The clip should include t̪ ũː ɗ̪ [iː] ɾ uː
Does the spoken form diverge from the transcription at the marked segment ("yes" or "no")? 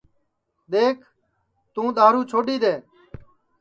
yes